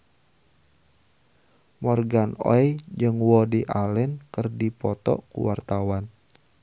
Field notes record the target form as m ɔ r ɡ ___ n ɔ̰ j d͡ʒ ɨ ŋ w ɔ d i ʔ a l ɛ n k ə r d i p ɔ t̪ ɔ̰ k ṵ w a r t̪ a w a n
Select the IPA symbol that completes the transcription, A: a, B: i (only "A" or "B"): A